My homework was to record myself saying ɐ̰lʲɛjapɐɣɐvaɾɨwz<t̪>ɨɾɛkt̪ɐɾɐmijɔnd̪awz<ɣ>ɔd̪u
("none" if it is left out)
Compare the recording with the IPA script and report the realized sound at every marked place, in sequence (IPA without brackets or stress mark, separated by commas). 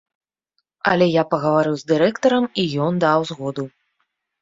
d̪, ɣ